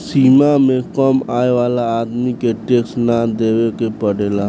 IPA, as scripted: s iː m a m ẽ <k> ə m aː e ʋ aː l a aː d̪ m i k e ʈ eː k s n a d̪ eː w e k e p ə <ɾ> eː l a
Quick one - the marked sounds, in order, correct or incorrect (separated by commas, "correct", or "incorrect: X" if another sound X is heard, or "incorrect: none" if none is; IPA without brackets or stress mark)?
correct, incorrect: ɽ